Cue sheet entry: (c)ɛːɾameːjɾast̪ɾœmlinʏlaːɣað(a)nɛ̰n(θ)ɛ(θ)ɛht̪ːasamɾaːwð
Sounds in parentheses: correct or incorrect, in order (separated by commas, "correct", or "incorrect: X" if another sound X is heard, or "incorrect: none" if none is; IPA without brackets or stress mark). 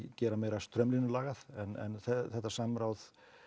correct, incorrect: ɛ, correct, correct